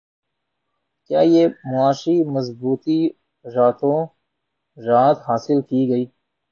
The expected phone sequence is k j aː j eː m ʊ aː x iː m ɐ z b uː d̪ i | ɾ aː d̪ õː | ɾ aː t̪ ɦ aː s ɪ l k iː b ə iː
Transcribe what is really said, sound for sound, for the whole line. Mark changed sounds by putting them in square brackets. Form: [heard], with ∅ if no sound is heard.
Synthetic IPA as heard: k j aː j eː m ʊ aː [ʃ] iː m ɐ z b uː [t̪] i | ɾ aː [t̪] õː | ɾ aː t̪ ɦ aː s ɪ l k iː [ɡ] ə iː